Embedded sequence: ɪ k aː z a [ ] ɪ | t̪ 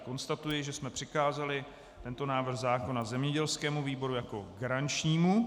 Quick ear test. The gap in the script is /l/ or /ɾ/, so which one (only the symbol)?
l